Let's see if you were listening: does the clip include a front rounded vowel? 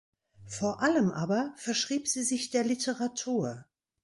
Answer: no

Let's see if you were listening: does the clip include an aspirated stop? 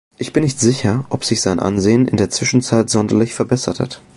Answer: no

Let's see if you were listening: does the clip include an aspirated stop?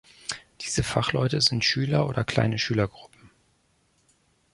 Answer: no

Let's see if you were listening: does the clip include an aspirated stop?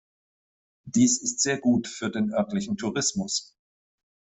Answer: yes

